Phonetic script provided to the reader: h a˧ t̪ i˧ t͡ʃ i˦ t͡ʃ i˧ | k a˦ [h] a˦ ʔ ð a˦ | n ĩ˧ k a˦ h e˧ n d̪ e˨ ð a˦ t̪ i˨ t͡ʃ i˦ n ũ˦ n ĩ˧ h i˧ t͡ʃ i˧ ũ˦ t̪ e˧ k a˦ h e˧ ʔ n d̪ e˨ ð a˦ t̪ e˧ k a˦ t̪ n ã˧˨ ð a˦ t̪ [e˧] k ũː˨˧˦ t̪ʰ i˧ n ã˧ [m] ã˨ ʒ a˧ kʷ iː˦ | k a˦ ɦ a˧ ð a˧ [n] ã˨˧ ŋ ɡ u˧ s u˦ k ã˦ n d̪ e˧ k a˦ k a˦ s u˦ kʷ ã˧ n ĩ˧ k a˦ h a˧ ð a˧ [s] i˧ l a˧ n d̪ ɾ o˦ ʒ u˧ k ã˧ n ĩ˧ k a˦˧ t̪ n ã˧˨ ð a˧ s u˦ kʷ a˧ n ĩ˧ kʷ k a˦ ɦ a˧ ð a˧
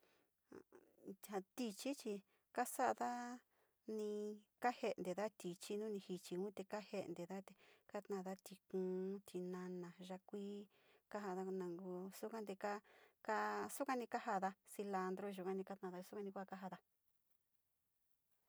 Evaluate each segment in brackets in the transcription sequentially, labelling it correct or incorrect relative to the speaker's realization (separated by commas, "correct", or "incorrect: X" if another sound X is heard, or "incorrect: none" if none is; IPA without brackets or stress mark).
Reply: incorrect: s, incorrect: i˧, incorrect: n, correct, correct